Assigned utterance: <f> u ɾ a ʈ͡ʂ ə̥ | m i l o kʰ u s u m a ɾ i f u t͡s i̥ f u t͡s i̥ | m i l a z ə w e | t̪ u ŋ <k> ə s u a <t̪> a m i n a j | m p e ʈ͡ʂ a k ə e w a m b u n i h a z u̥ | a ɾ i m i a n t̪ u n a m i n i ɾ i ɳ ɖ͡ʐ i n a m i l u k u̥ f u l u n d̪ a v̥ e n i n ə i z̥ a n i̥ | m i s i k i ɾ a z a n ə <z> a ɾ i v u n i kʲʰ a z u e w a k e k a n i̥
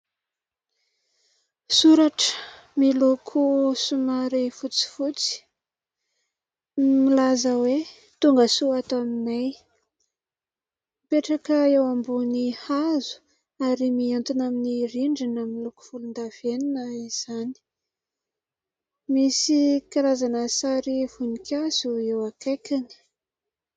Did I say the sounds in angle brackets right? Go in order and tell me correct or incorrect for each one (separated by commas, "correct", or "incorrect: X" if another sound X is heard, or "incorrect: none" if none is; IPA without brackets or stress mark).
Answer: incorrect: s, incorrect: ɡ, correct, incorrect: s